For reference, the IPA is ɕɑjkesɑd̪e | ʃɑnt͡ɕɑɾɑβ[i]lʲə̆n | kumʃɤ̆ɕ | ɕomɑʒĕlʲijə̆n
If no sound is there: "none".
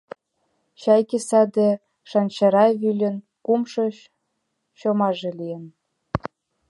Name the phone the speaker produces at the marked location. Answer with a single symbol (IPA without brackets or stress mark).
y